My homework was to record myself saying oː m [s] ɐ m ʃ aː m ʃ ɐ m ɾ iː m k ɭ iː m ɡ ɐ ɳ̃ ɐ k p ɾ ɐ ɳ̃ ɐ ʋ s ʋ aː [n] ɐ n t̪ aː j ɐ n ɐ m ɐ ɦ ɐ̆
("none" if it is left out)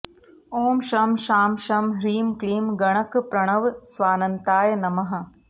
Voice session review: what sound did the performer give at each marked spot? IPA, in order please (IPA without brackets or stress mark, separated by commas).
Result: ʃ, n